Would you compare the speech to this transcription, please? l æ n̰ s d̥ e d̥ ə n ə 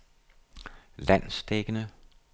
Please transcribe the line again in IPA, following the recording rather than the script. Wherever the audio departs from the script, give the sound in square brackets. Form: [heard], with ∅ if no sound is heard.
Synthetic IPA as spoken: l æ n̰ s d̥ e [ɡ̥] ə n ə